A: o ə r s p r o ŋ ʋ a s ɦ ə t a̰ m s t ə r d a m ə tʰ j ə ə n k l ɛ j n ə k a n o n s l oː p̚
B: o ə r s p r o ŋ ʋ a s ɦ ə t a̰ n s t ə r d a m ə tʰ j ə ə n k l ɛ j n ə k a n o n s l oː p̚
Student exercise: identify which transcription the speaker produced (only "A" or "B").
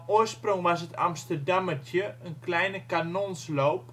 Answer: A